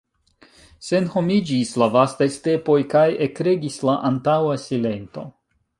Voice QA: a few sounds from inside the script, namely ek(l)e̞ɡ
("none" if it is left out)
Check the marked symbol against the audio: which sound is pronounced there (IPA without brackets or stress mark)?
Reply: ɾ